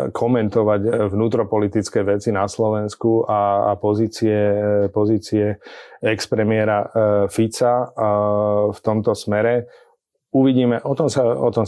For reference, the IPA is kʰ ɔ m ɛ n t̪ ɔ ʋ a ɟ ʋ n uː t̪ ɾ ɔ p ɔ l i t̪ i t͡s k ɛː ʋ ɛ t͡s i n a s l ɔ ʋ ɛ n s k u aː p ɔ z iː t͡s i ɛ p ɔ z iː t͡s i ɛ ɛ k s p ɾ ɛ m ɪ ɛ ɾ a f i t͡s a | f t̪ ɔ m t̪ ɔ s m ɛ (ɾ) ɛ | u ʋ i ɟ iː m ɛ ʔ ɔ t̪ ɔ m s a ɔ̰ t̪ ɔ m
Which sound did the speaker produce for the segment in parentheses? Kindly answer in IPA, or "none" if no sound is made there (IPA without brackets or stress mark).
ɾ